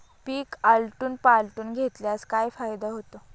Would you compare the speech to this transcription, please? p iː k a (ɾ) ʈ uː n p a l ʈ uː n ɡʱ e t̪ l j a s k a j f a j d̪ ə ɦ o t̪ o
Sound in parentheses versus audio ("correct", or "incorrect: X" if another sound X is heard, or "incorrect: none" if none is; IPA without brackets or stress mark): incorrect: l